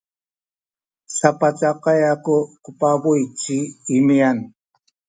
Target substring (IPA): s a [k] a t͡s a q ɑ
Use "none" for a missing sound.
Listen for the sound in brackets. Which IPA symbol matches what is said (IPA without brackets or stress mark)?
p